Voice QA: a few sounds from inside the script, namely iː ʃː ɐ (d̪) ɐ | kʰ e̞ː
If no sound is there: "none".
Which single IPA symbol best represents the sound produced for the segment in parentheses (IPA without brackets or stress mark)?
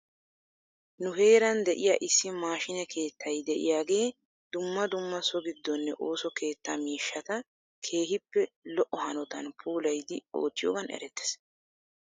t̪